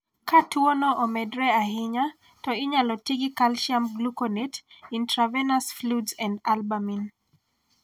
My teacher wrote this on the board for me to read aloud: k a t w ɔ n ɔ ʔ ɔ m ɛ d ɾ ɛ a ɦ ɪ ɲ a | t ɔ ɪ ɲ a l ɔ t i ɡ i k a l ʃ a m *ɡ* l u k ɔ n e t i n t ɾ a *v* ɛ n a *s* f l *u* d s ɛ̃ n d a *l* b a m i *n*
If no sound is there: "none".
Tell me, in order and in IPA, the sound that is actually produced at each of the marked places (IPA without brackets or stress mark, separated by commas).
ɡ, v, s, u, l, n